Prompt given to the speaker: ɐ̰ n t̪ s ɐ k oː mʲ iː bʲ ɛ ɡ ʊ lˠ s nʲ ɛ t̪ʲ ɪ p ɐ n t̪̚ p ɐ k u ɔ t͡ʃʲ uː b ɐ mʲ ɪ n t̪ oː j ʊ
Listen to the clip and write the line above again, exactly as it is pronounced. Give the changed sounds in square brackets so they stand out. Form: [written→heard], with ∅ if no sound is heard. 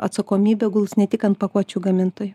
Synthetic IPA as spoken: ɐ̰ [n→∅] t̪ s ɐ k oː mʲ iː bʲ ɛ ɡ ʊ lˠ s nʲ ɛ t̪ʲ ɪ [p→k] ɐ n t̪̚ p ɐ k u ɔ t͡ʃʲ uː [b→ɡ] ɐ mʲ ɪ n t̪ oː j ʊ